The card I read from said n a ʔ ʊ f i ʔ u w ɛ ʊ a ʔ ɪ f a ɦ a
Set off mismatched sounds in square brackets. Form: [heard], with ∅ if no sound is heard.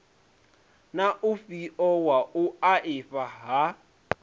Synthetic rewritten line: n a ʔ ʊ f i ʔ [ɔ] w [a] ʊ a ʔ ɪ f a ɦ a